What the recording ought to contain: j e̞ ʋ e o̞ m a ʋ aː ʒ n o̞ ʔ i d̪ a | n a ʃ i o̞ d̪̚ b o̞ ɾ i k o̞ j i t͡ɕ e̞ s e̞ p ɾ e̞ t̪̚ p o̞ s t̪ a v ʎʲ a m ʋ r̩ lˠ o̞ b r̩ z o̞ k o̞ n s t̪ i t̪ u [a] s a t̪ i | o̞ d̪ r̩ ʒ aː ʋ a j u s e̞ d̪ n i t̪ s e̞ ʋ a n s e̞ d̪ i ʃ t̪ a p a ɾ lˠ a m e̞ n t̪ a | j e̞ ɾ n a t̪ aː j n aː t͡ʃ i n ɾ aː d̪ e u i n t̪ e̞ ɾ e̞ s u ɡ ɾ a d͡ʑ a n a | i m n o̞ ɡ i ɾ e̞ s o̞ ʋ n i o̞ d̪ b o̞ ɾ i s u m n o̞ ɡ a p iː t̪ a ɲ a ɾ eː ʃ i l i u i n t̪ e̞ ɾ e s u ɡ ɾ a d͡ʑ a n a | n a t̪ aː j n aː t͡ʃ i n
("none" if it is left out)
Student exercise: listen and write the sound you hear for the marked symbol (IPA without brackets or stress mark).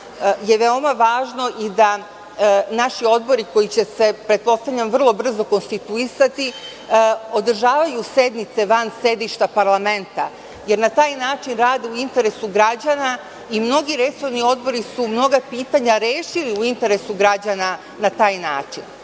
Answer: i